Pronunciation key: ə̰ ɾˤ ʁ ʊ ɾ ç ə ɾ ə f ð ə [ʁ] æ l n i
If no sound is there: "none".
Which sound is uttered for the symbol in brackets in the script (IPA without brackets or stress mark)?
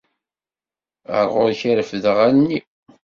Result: ʁ